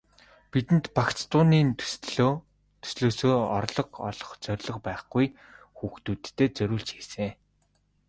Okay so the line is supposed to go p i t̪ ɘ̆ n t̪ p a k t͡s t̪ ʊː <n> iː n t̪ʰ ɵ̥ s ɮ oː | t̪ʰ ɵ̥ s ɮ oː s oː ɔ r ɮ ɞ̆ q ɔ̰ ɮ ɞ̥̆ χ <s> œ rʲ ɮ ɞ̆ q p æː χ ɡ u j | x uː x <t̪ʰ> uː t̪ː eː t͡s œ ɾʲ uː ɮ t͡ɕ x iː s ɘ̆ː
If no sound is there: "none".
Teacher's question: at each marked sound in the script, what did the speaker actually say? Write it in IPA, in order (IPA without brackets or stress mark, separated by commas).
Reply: n, t͡s, t̪